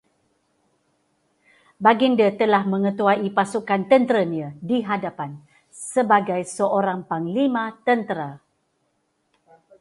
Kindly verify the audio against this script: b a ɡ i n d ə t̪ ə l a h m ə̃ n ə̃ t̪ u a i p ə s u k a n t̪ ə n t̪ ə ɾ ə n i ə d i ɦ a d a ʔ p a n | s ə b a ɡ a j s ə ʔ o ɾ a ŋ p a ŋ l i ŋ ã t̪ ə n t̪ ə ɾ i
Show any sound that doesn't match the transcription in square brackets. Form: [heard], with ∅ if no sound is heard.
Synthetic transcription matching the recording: b a ɡ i n d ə t̪ ə l a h m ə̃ [ŋ] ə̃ t̪ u a i p [a] s u k a n t̪ ə n t̪ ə ɾ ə n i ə d i ɦ a d a [∅] p a n | s ə b a ɡ a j s ə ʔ o ɾ a ŋ p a ŋ l i [m] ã t̪ ə n t̪ ə ɾ [a]